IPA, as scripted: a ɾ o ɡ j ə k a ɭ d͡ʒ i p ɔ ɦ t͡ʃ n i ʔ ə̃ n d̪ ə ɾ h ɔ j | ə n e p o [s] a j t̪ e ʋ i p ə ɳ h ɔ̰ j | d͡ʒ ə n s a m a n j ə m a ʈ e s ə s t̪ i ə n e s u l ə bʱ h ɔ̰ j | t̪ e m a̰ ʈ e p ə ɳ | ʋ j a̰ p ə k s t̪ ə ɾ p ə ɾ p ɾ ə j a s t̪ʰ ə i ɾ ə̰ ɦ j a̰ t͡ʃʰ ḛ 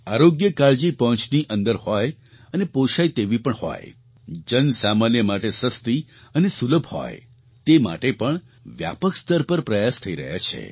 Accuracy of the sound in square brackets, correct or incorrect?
incorrect